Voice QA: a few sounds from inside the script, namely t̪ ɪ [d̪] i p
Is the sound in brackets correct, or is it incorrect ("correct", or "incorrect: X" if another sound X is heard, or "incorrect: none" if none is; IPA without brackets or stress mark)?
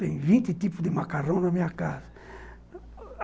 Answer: incorrect: t̪